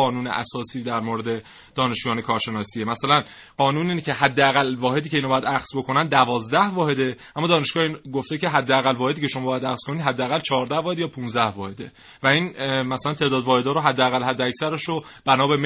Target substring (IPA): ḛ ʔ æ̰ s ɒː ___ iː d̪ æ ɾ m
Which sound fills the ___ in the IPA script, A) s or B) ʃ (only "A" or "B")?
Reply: A